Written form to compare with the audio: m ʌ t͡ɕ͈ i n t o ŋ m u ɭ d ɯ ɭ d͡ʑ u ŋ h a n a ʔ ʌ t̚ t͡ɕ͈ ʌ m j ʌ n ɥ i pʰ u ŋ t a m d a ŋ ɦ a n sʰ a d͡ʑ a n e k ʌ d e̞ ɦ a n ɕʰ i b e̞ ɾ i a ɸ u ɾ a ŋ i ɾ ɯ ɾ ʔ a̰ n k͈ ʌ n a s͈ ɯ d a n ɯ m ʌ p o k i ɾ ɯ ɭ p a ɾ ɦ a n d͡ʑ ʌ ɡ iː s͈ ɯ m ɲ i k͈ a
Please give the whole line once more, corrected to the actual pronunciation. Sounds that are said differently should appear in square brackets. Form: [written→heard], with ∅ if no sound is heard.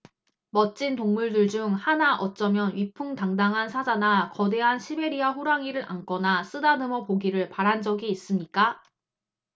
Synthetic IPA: m ʌ t͡ɕ͈ i n t o ŋ m u ɭ d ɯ ɭ d͡ʑ u ŋ h a n a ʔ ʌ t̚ t͡ɕ͈ ʌ m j ʌ n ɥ i pʰ u ŋ t a [m→ŋ] d a ŋ ɦ a n sʰ a d͡ʑ a n [e→a] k ʌ d e̞ ɦ a n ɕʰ i b e̞ ɾ i a ɸ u ɾ a ŋ i ɾ ɯ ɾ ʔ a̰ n k͈ ʌ n a s͈ ɯ d a n ɯ m ʌ p o [k→ɡ] i ɾ ɯ ɭ p a ɾ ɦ a n d͡ʑ ʌ ɡ iː s͈ ɯ m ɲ i k͈ a